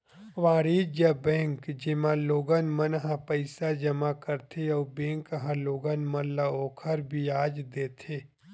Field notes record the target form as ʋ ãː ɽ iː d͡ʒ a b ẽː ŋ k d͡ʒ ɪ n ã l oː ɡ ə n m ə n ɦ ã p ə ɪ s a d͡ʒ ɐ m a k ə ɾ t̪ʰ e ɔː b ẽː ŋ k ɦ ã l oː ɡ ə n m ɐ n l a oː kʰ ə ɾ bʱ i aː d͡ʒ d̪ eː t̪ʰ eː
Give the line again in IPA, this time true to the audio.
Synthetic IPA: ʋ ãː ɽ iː d͡ʒ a b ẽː ŋ k d͡ʒ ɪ m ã l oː ɡ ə n m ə n ɦ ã p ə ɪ s a d͡ʒ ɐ m a k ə ɾ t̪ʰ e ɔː b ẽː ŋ k ɦ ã l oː ɡ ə n m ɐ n l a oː kʰ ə ɾ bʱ i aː d͡ʒ d̪ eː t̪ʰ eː